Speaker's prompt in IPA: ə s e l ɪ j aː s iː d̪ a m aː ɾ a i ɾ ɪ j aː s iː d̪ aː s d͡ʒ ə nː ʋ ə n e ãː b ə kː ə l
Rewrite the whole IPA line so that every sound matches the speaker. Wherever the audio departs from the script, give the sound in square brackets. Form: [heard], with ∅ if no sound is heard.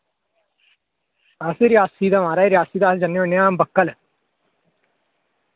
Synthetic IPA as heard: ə s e [ɾ] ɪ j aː s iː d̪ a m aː ɾ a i ɾ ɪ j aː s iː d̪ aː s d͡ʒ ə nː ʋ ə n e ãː b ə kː ə l

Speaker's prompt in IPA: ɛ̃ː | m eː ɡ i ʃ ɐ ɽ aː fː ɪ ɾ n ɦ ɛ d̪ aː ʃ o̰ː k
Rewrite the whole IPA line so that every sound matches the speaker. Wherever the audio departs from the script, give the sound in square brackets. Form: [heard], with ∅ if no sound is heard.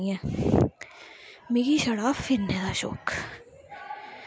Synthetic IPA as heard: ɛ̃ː | m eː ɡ i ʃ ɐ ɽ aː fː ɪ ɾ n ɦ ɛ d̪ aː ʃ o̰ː k

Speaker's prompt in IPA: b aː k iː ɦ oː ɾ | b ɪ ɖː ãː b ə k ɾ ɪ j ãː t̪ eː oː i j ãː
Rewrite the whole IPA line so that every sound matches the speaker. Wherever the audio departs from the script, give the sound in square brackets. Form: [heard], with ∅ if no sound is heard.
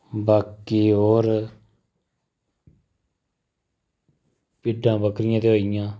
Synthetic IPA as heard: b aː k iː ɦ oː ɾ | [p] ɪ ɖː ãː b ə k ɾ ɪ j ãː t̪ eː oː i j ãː

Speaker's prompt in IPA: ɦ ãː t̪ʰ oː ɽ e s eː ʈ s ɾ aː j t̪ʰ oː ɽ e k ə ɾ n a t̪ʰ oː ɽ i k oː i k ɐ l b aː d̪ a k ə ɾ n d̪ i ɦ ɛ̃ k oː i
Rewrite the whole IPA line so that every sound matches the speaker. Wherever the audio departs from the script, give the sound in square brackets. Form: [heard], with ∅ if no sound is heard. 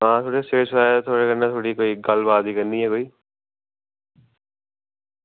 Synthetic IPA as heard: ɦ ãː t̪ʰ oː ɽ e s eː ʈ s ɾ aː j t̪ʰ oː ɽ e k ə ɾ n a t̪ʰ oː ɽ i k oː i [ɡ] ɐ l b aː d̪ [i] k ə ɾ n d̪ i ɦ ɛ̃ k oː i

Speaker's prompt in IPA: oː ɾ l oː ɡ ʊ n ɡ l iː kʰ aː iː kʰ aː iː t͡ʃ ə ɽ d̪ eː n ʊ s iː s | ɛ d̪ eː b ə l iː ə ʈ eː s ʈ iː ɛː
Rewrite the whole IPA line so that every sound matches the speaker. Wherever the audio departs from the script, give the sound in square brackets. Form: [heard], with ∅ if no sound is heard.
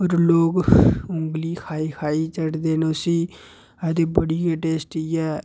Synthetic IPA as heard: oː ɾ l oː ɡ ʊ [ŋ] ɡ l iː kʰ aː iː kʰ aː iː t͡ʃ ə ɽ d̪ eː n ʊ s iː [∅] | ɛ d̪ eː b ə [ɽ] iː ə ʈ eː s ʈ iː ɛː

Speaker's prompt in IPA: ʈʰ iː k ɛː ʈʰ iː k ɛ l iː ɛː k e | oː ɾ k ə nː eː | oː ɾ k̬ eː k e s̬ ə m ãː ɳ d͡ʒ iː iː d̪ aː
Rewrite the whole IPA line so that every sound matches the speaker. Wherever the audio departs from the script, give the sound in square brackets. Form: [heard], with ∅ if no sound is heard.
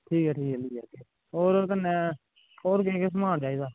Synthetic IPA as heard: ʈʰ iː k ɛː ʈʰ iː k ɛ l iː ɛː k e | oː ɾ k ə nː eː | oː ɾ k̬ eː k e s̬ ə m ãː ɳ d͡ʒ [aː] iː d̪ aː

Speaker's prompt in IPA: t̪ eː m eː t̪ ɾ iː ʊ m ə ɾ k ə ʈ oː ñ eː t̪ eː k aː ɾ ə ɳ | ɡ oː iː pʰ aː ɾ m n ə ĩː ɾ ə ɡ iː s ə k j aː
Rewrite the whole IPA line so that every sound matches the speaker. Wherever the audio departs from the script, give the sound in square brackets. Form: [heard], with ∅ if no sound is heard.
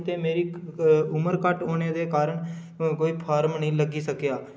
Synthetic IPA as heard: t̪ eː m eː [∅] ɾ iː ʊ m ə ɾ k ə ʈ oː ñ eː [d̪] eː k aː ɾ ə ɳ | [k] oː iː pʰ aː ɾ m n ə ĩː [l] ə ɡ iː s ə k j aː

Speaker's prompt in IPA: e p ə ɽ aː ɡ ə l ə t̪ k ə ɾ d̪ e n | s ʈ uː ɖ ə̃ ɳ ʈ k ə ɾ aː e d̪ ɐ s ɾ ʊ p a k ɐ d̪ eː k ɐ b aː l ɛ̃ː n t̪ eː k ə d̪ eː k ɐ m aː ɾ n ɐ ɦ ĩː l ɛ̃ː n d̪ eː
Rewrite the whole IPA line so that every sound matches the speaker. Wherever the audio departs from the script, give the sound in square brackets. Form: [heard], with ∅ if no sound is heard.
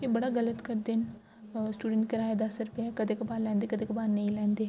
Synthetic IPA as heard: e [b] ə ɽ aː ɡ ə l ə t̪ k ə ɾ d̪ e n | s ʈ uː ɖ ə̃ ɳ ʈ k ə ɾ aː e d̪ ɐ s ɾ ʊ p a k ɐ d̪ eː k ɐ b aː l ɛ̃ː n [d̪] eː k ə d̪ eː k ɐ [b] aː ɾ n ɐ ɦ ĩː l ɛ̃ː n d̪ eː

